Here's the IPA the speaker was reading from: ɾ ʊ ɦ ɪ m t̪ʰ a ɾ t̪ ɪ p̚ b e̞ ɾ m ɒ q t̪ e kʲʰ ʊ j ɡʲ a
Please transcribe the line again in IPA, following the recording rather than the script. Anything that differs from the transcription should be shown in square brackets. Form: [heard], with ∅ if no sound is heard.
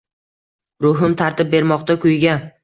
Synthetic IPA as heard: ɾ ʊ ɦ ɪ m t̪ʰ a ɾ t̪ ɪ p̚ b e̞ ɾ m ɒ q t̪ [a] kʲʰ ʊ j ɡʲ a